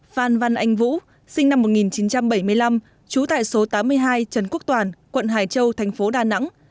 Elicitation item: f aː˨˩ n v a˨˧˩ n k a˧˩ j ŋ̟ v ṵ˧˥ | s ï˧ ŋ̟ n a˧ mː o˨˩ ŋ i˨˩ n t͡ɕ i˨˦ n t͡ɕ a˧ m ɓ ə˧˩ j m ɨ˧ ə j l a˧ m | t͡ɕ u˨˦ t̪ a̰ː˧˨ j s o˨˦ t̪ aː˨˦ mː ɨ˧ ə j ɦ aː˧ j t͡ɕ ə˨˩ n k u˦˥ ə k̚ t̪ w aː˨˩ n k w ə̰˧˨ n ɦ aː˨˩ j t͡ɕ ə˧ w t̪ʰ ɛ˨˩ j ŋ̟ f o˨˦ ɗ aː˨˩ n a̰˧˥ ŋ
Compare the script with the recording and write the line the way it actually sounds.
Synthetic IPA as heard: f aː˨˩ n v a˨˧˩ n ʔ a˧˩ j ŋ̟ v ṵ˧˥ | s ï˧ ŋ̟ n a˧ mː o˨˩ ŋ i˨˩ n t͡ɕ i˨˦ n t͡ɕ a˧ m ɓ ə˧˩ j m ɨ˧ ə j l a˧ m | t͡ɕ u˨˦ t̪ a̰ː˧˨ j s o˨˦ t̪ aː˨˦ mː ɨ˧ ə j ɦ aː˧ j t͡ɕ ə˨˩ n k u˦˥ ə k̚ t̪ w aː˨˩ n k w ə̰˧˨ n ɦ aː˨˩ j t͡ɕ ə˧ w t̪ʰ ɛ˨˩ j ŋ̟ f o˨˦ ɗ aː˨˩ n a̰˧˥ ŋ